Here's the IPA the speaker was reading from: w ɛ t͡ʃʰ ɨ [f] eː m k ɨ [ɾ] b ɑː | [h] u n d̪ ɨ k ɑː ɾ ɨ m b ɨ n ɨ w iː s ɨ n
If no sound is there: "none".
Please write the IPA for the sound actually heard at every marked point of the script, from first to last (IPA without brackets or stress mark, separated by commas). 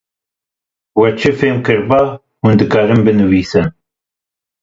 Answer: f, ɾ, h